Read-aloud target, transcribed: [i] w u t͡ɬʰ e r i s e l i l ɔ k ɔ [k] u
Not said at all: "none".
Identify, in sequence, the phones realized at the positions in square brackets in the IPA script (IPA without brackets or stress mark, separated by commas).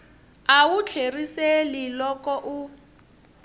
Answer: a, ʔ